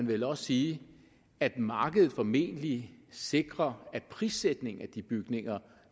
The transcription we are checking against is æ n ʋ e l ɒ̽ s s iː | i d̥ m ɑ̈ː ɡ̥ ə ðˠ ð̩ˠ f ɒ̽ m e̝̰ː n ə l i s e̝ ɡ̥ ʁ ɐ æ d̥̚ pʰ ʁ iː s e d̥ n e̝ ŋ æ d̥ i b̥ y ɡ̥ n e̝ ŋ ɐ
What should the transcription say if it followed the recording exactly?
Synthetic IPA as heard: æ n ʋ e l ɒ̽ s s iː | æ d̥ m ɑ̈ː ɡ̥ ə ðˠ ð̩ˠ f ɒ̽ m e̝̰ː n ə l i s e̝ ɡ̥ ʁ ɐ æ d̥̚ pʰ ʁ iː s e d̥ n e̝ ŋ æ d̥ i b̥ y ɡ̥ n e̝ ŋ ɐ